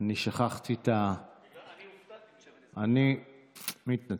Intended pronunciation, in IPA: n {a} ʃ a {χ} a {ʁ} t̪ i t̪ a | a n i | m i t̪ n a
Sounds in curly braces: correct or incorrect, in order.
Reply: incorrect: i, correct, incorrect: χ

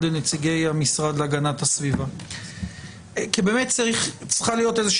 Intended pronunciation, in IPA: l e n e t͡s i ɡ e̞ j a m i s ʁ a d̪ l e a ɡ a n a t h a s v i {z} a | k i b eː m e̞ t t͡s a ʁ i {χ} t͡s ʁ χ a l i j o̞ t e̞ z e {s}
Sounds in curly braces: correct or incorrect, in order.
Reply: incorrect: v, correct, incorrect: ʃ

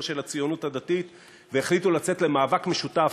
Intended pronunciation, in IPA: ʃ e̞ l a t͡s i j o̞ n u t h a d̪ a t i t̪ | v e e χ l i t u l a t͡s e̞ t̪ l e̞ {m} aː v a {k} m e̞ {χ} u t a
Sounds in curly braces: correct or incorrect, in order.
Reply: correct, correct, incorrect: ʃ

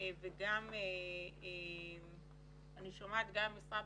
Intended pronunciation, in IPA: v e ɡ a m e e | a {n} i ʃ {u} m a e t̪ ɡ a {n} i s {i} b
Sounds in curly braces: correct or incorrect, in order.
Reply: correct, incorrect: o, incorrect: m, incorrect: a

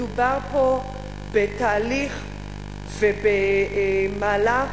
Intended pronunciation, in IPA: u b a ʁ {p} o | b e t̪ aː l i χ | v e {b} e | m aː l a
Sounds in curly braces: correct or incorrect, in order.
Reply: correct, correct

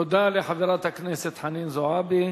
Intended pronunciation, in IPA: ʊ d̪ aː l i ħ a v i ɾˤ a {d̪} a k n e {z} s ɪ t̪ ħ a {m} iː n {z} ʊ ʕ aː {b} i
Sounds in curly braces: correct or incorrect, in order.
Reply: incorrect: t̪, incorrect: none, incorrect: n, correct, correct

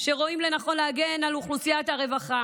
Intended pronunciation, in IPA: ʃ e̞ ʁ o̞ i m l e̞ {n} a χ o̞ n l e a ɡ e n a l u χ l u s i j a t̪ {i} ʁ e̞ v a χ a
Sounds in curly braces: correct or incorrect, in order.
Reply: correct, incorrect: a

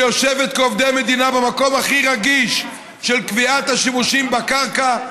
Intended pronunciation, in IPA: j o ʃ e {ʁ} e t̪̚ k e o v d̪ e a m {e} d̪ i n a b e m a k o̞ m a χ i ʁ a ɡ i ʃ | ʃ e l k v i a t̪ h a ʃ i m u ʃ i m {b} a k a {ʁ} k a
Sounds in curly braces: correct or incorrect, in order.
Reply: incorrect: v, correct, correct, correct

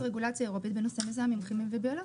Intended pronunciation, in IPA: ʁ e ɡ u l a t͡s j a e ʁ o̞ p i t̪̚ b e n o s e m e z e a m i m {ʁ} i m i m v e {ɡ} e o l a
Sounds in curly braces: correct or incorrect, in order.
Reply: incorrect: χ, incorrect: b

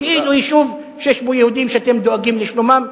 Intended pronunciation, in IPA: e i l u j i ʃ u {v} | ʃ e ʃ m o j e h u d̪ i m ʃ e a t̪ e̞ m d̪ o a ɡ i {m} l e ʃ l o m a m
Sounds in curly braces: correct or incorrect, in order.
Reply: correct, correct

